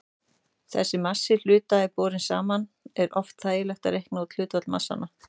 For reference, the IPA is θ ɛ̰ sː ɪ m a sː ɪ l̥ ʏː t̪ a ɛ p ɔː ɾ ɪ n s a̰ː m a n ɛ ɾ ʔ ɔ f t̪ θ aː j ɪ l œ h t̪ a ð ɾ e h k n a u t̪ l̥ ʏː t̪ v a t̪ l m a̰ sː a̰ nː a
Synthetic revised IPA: θ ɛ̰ sː ɪ m a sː ɪ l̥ ʏː t̪ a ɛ p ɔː ɾ ɪ n s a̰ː m a n ɛ ɾ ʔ ɔ f t̪ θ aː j ɪ l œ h t̪ a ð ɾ e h k n a u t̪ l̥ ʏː t̪ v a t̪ l m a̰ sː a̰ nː a